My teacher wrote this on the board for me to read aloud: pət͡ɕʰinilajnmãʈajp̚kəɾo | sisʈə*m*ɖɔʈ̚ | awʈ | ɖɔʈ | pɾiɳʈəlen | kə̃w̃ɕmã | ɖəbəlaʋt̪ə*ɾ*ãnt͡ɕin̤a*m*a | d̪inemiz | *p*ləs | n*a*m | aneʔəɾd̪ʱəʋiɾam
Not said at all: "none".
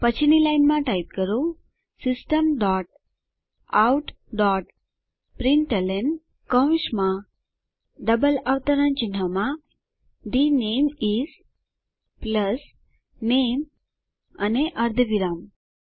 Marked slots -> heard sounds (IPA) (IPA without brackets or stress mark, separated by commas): m, ɾ, m, p, e